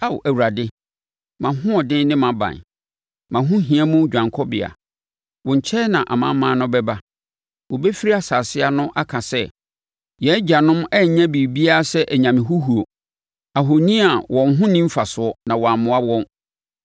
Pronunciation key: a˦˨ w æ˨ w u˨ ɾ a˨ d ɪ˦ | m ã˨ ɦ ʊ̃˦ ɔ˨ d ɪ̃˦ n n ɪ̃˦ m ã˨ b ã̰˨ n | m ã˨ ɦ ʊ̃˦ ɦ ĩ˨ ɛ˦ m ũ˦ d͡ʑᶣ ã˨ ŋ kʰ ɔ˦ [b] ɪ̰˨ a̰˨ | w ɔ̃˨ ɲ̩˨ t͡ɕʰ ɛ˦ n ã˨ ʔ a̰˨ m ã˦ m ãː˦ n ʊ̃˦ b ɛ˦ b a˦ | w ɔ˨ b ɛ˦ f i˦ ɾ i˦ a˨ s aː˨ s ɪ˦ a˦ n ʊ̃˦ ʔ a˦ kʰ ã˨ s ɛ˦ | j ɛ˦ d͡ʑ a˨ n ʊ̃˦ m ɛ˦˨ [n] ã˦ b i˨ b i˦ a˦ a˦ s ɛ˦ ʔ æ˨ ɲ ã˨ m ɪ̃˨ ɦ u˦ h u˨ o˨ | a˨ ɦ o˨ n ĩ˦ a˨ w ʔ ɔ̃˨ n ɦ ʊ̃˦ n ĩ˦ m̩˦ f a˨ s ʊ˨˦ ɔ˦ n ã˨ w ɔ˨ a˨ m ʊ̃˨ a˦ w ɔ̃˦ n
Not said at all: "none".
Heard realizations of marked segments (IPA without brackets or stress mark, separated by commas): b, ɲ